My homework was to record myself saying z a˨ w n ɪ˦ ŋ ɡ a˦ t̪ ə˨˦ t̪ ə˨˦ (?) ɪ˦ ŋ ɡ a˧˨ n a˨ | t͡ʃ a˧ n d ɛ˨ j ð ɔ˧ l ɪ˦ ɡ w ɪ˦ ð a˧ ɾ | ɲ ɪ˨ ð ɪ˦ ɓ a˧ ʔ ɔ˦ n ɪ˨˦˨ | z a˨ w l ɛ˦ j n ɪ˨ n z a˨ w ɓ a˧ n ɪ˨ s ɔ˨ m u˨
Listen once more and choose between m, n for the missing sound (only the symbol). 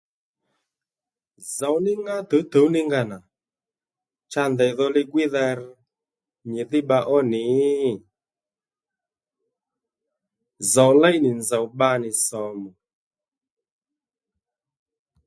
n